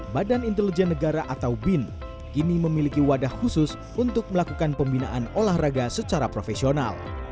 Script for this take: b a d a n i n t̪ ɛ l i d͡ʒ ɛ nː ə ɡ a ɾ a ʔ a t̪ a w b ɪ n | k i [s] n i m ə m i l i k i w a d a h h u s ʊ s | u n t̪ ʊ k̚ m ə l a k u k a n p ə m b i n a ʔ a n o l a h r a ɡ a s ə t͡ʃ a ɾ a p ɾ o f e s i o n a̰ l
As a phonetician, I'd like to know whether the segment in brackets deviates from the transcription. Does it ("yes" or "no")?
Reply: yes